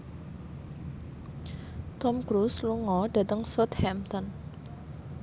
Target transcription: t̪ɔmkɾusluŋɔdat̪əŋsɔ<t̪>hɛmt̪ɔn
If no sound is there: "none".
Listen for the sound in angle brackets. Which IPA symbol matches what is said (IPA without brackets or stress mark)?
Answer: t̪